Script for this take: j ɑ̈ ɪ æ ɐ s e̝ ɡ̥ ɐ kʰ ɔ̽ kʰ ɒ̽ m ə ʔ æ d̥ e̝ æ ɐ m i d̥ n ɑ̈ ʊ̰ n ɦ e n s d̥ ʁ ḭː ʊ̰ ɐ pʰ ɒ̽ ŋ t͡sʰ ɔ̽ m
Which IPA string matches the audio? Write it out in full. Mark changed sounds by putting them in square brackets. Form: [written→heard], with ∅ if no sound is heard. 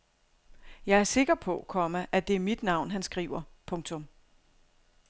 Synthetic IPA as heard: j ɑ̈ ɪ æ ɐ s e̝ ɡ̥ ɐ [kʰ→pʰ] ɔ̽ kʰ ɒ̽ m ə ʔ æ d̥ e̝ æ ɐ m i d̥ n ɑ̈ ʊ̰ n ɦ [e→æ] n s [d̥→ɡ̥] ʁ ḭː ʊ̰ ɐ pʰ [ɒ̽→ɔ̽] ŋ t͡sʰ ɔ̽ m